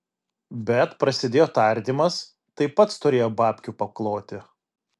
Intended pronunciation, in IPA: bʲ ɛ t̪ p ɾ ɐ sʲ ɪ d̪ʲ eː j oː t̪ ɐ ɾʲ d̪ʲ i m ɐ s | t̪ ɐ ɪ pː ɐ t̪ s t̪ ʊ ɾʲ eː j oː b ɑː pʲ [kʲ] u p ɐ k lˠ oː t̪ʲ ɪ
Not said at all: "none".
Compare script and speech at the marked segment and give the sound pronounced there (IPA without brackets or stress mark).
kʲ